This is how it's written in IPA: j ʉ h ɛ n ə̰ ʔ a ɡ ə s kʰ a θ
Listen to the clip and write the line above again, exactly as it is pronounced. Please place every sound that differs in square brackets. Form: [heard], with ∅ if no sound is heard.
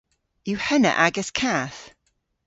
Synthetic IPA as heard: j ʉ h ɛ n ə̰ ʔ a ɡ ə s kʰ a θ